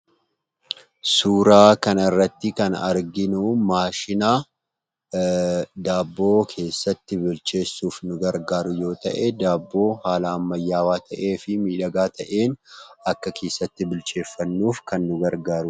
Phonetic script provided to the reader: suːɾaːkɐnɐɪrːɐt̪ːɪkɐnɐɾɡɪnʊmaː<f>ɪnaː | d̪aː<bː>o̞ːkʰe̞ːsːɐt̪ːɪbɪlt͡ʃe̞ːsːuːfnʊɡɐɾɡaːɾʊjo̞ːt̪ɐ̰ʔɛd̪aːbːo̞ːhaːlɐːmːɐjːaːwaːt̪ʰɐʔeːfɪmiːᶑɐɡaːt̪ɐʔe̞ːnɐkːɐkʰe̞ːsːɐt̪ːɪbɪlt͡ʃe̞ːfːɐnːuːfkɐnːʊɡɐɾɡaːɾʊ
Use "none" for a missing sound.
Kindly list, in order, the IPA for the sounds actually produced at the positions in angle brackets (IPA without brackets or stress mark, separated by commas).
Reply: ʃ, bː